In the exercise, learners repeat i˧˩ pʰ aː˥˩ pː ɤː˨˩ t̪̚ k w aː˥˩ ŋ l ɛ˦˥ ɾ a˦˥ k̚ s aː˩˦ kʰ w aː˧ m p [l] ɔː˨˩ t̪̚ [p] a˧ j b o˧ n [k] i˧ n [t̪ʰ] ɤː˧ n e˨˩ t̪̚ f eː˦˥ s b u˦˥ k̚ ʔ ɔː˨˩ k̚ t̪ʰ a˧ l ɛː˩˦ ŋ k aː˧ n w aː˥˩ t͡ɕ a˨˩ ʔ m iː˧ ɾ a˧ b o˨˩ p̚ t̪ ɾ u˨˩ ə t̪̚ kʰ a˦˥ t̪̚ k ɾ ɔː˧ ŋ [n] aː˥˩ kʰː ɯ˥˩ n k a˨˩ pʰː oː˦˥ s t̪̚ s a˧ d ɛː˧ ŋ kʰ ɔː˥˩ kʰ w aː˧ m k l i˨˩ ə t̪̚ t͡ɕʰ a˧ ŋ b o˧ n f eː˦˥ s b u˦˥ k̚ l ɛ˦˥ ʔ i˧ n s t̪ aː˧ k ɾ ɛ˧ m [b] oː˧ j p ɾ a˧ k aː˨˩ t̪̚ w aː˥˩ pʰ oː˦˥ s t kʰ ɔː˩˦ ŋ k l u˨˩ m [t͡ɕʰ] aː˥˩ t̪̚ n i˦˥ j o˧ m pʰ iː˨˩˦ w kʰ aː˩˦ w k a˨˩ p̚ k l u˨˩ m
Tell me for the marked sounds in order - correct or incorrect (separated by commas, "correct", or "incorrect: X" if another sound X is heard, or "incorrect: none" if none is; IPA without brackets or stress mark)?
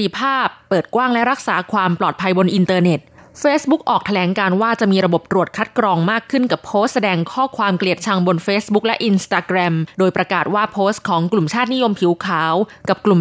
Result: correct, incorrect: pʰ, incorrect: ʔ, incorrect: t̪, incorrect: m, incorrect: d, correct